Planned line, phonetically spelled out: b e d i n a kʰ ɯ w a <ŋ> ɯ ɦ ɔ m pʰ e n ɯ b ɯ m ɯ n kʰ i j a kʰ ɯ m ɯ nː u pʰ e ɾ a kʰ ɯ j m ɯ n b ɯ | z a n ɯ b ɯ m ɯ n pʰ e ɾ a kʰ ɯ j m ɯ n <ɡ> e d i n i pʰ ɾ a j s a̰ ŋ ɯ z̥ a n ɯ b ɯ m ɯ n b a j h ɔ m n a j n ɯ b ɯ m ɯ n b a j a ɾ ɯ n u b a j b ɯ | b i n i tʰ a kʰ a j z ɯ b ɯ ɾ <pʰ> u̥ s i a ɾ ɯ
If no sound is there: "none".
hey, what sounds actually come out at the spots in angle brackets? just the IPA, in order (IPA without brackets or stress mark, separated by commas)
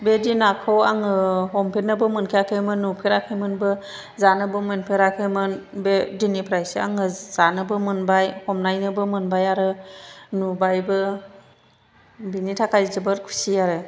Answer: ŋ, b, kʰ